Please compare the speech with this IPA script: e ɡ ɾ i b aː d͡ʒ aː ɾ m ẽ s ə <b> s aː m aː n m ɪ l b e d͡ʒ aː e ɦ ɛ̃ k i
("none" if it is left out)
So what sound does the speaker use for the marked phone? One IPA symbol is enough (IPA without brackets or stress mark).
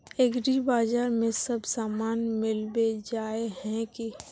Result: b